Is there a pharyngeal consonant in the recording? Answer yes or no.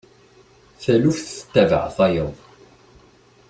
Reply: yes